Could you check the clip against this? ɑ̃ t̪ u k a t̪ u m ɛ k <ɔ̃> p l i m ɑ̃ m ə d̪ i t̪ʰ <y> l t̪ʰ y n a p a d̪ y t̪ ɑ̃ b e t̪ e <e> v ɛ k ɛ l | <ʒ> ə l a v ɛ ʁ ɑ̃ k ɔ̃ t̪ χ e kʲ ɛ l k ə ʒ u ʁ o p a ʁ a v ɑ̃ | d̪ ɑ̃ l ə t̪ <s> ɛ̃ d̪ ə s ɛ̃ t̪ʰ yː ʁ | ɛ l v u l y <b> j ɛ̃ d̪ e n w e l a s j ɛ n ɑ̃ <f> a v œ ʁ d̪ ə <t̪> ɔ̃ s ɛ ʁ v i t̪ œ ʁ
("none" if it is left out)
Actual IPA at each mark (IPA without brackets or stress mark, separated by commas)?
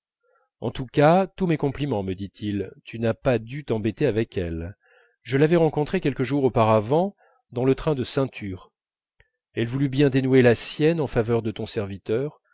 ɔ̃, i, a, ʒ, χ, b, f, t̪